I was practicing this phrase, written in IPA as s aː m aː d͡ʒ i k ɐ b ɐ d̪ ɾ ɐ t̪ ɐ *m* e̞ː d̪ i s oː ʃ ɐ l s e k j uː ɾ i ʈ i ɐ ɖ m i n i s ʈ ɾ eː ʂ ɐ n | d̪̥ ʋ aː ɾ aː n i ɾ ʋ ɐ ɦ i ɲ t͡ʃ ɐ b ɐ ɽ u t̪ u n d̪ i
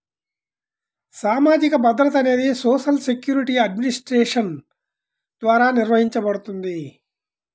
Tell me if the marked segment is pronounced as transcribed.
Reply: no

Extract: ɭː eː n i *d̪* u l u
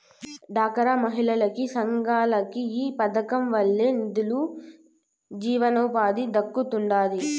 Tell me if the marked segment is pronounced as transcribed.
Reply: yes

